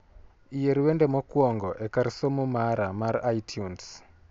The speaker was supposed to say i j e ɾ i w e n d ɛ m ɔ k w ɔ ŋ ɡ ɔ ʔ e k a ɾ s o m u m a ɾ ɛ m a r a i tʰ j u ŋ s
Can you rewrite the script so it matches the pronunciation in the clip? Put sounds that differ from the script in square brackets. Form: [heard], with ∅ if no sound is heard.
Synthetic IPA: i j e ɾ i w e n d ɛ m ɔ k w ɔ ŋ ɡ ɔ ʔ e k a ɾ s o m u m a ɾ [a] m a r a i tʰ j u [n] s